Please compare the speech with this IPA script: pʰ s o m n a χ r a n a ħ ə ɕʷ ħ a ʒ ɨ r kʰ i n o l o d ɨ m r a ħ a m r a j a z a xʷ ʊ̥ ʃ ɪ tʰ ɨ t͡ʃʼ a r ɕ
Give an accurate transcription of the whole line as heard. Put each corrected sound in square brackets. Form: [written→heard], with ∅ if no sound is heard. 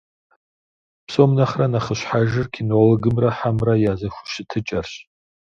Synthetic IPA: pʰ s o m n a χ r a n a [ħ→χ] ə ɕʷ ħ a ʒ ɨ r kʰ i n o l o [d→ɡ] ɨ m r a ħ a m r a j a z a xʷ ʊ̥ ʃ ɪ tʰ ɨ t͡ʃʼ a r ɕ